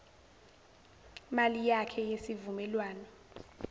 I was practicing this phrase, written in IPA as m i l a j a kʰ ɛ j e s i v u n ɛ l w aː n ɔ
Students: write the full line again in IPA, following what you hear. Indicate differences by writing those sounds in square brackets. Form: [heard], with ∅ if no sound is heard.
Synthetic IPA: m [a] l [i] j a kʰ ɛ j e s i v u [m] ɛ l w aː n ɔ